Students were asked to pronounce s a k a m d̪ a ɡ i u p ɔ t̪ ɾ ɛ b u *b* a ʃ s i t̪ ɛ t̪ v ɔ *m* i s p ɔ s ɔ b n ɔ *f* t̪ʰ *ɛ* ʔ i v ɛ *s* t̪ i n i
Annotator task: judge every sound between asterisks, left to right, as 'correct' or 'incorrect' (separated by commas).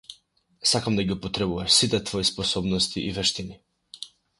incorrect, incorrect, incorrect, incorrect, incorrect